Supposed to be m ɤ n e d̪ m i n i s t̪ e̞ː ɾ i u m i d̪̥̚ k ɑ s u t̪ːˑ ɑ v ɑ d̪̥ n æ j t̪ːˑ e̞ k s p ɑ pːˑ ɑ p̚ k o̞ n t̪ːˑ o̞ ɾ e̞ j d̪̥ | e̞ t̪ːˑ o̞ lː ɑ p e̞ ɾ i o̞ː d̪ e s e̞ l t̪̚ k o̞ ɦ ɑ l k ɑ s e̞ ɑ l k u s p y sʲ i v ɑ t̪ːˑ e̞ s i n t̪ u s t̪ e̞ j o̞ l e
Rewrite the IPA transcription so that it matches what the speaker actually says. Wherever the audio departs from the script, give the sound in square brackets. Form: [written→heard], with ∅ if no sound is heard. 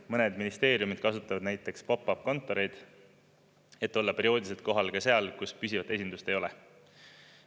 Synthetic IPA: m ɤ n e d̪ m i n i s t̪ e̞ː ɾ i u m i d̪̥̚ k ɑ s u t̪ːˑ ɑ v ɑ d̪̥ n æ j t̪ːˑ e̞ k s p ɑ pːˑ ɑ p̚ k o̞ n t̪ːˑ o̞ ɾ e̞ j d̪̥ | e̞ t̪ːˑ o̞ lː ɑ p e̞ ɾ i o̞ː d̪ [e→i] s e̞ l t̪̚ k o̞ ɦ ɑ l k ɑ s e̞ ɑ l k u s p y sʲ i v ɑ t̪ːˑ e̞ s i n [t̪→d̪] u s t̪ e̞ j o̞ l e